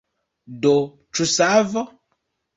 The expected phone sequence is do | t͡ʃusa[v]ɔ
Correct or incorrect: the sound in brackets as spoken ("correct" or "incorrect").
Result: correct